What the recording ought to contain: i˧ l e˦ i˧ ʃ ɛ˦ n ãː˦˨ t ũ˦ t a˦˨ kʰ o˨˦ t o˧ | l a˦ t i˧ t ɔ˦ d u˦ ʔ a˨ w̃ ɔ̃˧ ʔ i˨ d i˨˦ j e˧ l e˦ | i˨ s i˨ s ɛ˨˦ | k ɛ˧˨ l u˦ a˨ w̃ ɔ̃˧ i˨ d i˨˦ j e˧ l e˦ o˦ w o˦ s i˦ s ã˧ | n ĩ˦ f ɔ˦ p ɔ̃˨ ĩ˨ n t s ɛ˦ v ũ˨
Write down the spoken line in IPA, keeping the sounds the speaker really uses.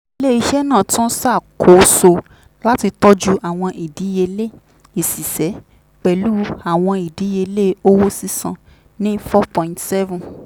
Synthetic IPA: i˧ l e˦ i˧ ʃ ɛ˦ n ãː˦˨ t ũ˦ s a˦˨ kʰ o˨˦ s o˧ | l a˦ t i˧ t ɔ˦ d͡ʒ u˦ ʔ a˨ w̃ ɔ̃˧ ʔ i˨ d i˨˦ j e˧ l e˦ | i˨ s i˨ s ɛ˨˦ | k͡p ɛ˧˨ l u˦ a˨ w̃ ɔ̃˧ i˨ d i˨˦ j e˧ l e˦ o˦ w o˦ s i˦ s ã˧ | n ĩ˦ f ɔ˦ p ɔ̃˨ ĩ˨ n t s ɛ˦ v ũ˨